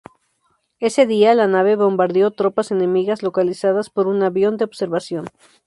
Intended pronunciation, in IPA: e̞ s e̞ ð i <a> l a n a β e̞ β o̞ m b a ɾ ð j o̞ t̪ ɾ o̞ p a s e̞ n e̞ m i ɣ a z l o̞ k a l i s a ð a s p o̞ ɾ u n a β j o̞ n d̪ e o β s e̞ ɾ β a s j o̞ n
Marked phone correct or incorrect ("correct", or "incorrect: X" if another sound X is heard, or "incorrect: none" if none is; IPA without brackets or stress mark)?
correct